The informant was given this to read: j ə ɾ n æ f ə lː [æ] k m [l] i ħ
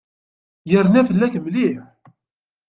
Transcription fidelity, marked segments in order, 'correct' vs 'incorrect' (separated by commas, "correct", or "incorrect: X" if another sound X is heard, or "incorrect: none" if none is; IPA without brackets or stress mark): correct, correct